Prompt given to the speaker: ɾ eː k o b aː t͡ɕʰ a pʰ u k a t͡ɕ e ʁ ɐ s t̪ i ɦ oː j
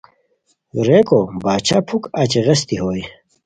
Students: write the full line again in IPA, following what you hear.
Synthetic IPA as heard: ɾ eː k o b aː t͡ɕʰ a pʰ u k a t͡ɕ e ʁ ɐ s t̪ i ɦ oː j